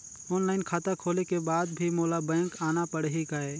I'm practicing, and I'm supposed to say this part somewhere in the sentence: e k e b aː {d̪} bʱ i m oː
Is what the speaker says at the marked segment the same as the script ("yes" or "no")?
yes